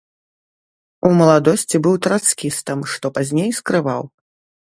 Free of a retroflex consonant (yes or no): no